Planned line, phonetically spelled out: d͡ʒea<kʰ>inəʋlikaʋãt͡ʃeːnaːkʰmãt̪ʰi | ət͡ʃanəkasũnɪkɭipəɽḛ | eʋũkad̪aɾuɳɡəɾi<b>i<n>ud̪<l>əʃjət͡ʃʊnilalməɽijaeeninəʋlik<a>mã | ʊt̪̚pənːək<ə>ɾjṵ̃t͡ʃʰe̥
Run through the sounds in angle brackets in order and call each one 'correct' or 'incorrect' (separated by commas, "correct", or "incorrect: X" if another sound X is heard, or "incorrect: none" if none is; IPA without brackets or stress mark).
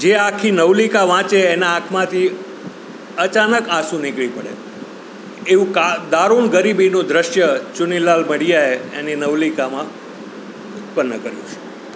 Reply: correct, correct, correct, incorrect: ɾ, correct, correct